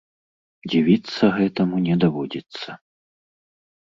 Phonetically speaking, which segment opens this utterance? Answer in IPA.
d͡zʲ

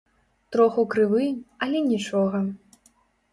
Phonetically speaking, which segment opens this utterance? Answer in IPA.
t̪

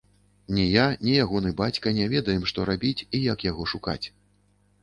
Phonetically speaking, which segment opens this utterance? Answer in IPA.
nʲ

